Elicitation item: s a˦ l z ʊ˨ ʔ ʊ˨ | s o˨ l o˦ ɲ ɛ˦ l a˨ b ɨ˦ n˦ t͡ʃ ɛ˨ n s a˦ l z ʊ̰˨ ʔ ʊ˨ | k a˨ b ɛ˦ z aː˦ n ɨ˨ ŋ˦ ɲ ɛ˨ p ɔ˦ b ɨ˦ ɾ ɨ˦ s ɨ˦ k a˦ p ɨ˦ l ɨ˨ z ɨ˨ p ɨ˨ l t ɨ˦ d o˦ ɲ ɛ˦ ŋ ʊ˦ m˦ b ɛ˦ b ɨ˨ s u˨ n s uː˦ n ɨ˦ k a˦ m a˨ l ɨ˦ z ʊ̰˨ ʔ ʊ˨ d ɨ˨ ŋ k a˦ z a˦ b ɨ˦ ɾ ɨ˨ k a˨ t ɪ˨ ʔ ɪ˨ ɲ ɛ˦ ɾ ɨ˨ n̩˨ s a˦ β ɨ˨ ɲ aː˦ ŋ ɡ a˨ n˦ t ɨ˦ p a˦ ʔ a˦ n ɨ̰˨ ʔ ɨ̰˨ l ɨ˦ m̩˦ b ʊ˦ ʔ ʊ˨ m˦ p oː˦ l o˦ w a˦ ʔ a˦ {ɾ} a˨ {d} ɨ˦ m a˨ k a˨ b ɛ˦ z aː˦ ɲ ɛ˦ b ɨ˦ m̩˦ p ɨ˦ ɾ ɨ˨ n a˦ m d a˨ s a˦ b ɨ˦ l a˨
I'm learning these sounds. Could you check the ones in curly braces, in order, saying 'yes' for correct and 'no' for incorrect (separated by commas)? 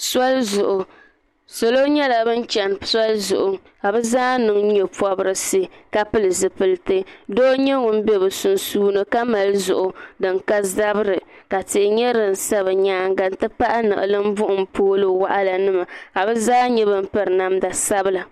no, no